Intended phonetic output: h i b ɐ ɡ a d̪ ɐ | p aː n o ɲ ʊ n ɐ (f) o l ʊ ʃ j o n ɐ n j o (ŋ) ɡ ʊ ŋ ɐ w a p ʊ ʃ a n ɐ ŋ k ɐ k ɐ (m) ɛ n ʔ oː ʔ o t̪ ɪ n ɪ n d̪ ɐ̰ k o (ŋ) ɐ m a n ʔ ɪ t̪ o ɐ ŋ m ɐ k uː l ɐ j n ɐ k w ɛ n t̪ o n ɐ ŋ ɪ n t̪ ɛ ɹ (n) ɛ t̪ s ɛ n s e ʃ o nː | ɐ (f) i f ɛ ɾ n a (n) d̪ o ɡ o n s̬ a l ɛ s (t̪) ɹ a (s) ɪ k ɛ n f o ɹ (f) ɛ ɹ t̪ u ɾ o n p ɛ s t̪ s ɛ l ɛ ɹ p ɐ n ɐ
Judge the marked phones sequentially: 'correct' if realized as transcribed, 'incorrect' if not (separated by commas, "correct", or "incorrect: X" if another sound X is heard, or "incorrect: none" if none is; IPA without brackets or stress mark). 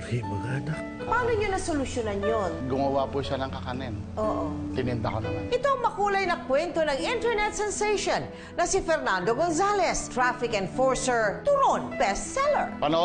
incorrect: s, incorrect: n, incorrect: n, incorrect: n, correct, incorrect: s, correct, correct, incorrect: f, incorrect: s